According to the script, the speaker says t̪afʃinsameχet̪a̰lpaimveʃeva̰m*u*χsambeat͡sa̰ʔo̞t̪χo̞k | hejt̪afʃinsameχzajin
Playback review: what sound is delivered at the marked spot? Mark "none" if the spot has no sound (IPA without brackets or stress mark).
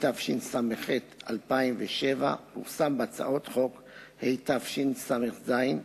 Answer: u